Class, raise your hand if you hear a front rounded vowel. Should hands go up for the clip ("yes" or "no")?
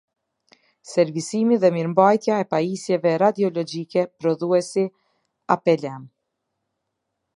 no